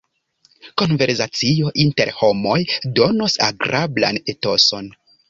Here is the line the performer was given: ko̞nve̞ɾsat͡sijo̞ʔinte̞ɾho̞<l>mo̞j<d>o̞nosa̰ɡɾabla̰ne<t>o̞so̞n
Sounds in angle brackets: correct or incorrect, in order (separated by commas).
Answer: incorrect, correct, correct